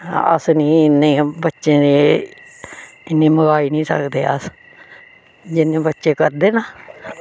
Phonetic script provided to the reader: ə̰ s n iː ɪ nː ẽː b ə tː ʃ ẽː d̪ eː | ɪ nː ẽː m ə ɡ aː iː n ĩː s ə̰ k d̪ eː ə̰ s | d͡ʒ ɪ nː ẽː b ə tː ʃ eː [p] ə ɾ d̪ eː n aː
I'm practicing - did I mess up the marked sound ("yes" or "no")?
yes